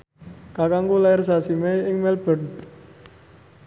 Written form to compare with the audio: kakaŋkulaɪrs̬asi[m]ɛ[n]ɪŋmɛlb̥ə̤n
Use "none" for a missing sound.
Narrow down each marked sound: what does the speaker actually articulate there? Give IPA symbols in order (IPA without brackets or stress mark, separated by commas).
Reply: m, none